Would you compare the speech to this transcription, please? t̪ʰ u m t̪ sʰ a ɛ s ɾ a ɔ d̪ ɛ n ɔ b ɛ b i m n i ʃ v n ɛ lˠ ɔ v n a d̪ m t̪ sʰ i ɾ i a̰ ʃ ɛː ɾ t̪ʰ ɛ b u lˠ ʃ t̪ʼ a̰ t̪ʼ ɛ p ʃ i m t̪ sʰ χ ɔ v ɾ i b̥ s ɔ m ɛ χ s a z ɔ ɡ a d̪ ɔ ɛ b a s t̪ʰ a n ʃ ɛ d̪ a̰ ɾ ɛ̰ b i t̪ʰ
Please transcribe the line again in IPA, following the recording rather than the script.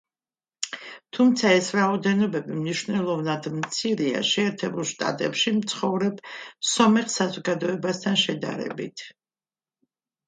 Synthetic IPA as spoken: t̪ʰ u m t̪ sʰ a ɛ s ɾ a ɔ d̪ ɛ n ɔ b ɛ b i m n i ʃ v n ɛ lˠ ɔ v n a d̪ m t̪ sʰ i ɾ i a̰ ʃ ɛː ɾ t̪ʰ ɛ b u lˠ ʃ t̪ʼ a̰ t̪ʼ ɛ p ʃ i m t̪ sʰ χ ɔ v ɾ ɛ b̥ s ɔ m ɛ χ s a z ɔ ɡ a d̪ ɔ ɛ b a s t̪ʰ a n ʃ ɛ d̪ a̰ ɾ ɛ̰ b i t̪ʰ